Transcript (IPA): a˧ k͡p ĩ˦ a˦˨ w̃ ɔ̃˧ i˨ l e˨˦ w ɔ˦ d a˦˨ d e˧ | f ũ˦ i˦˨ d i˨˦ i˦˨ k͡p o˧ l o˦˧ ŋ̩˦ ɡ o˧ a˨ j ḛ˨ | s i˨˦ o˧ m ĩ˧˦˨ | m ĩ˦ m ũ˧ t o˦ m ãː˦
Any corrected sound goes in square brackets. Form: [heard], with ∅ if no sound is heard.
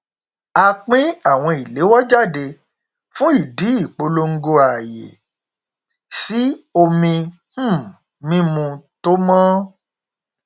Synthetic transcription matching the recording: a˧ k͡p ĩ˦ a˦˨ w̃ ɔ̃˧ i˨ l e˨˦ w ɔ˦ [d͡ʒ] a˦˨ d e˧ | f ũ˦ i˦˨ d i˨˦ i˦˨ k͡p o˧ l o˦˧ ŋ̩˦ ɡ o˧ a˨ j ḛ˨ | s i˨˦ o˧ m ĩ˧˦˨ | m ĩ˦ m ũ˧ t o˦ m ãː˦